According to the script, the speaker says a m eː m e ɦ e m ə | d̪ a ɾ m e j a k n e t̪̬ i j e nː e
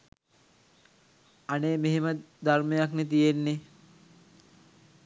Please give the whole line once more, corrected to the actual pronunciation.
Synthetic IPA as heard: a n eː m e ɦ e m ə | d̪ a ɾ m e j a k n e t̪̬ i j e nː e